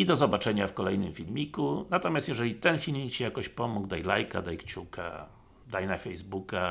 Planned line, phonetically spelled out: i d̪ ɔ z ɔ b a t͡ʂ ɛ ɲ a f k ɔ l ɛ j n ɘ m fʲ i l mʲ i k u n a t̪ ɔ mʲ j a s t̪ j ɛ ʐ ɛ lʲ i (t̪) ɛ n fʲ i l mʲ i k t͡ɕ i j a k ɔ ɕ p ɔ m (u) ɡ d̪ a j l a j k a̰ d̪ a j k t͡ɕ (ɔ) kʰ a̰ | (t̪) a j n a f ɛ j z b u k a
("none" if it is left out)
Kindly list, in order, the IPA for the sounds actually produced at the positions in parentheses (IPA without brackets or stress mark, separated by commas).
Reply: t̪, u, u, d̪